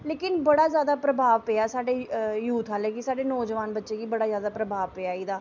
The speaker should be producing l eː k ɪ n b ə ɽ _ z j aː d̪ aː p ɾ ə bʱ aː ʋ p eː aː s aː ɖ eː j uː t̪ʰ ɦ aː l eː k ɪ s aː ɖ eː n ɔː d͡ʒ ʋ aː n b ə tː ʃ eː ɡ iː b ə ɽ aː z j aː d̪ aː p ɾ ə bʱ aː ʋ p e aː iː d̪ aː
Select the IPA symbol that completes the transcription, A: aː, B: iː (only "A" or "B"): A